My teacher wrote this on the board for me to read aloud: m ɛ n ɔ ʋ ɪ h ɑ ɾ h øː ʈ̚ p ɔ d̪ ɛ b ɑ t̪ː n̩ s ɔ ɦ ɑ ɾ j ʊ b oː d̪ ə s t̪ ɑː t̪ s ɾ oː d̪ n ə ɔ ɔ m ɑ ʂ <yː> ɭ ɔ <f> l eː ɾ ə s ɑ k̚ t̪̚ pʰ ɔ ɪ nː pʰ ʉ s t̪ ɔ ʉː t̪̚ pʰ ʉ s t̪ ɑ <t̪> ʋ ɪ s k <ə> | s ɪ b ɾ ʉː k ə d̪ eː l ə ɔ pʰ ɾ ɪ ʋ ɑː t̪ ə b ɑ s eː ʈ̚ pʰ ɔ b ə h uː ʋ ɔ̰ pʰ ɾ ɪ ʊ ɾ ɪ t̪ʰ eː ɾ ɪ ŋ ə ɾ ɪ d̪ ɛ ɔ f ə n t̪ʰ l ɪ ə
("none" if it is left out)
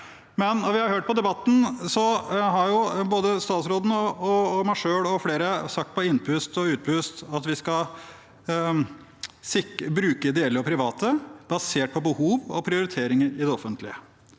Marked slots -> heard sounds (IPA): øː, f, t̪, ɑ

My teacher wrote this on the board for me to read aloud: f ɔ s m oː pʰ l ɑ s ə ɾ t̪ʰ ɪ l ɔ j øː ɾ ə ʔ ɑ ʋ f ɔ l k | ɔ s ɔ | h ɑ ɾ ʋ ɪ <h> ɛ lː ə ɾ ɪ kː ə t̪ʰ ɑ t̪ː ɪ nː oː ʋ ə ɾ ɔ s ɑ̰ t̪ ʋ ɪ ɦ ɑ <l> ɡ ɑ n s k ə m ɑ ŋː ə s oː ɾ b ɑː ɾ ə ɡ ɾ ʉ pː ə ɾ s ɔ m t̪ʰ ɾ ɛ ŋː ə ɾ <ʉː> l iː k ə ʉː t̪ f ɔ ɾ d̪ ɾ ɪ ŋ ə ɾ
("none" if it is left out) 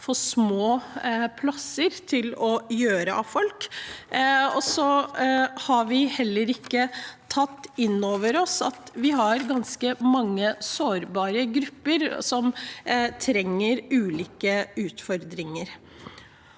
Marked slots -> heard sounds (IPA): h, ɾ, ʉː

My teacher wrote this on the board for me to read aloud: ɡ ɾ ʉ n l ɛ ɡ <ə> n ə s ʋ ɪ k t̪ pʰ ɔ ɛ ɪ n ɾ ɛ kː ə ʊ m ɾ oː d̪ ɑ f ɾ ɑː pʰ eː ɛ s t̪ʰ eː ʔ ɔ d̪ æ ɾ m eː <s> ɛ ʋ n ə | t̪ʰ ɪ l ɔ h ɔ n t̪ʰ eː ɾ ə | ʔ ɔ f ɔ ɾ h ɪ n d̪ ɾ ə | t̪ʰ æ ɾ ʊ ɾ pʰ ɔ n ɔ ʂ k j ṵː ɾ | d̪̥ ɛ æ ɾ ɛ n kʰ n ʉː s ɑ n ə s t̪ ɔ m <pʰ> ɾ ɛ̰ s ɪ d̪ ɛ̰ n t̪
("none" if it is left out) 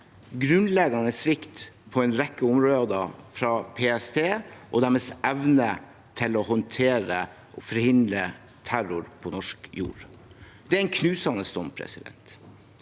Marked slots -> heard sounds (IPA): ɑ, s, pʰ

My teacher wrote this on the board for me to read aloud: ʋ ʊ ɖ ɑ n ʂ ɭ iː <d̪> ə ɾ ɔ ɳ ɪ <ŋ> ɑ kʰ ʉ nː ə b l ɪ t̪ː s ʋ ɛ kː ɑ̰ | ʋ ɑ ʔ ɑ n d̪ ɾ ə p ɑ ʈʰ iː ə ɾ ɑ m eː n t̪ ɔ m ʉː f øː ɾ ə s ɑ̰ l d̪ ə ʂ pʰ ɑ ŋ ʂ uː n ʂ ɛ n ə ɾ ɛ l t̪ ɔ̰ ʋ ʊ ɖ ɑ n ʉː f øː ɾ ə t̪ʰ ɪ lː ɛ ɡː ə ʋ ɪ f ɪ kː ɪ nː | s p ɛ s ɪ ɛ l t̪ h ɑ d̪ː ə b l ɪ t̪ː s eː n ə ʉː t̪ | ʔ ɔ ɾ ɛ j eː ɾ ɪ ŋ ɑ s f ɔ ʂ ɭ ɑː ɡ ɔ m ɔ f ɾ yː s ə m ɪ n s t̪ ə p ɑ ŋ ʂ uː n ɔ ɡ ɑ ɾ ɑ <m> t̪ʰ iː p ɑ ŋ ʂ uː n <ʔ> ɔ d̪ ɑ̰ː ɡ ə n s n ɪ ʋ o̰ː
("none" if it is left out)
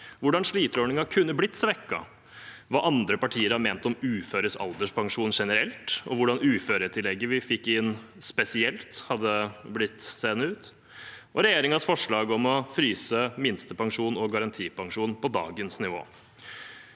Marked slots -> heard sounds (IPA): t̪, ŋ, n, p

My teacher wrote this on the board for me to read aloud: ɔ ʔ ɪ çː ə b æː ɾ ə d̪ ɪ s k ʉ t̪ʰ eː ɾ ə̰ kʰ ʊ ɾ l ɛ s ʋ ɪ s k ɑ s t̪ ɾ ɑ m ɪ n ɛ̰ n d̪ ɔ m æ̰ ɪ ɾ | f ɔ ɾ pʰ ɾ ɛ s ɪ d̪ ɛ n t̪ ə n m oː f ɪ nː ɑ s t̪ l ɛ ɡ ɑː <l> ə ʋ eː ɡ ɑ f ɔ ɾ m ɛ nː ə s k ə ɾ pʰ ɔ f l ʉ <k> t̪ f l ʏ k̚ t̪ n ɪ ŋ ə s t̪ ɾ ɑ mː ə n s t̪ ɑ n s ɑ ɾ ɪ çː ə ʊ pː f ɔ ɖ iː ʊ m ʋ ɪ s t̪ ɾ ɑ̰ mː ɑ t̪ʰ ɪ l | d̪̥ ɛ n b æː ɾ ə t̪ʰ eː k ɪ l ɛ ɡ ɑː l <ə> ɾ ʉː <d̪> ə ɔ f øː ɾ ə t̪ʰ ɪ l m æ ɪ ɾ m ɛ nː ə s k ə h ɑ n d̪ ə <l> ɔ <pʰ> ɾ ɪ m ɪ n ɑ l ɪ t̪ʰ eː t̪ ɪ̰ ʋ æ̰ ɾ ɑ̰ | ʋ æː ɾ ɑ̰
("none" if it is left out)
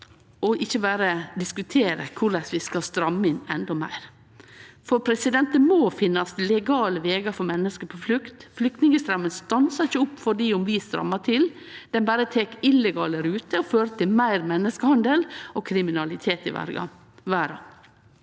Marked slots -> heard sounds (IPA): l, k, ə, t̪, l, kʰ

